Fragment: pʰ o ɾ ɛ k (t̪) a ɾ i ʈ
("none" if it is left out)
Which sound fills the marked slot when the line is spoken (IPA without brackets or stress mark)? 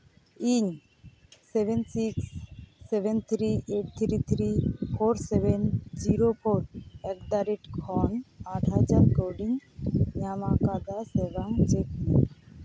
d̪